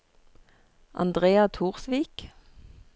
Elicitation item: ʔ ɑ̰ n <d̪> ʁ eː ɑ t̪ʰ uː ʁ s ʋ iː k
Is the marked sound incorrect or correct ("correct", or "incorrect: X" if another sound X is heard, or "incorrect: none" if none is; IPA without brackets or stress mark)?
correct